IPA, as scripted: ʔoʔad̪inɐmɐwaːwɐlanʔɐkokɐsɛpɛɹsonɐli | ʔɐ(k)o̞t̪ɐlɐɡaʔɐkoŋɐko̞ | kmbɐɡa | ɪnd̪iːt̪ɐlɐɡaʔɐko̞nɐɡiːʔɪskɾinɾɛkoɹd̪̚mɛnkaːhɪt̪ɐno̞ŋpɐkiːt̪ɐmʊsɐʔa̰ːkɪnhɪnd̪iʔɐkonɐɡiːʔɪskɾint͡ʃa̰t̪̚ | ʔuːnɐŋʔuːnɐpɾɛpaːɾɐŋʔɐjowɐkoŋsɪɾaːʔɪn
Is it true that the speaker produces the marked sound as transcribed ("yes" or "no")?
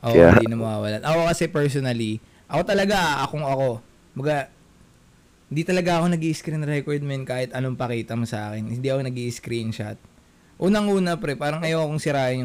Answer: yes